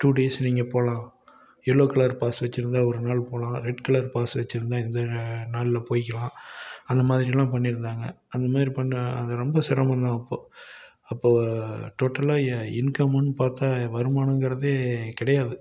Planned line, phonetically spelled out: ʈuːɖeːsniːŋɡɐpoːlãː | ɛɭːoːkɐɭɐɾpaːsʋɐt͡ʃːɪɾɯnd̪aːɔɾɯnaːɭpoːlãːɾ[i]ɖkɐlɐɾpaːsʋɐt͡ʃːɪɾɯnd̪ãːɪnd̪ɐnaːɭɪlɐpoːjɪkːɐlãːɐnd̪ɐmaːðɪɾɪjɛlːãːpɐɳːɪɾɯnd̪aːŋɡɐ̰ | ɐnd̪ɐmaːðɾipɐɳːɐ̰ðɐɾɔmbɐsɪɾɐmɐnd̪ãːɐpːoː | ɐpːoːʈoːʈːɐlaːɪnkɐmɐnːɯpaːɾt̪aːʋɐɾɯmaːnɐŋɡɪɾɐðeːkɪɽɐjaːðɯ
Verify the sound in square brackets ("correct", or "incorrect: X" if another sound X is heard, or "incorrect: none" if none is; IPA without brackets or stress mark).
incorrect: ɛ